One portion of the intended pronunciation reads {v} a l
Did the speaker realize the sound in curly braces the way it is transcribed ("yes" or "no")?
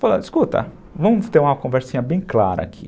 no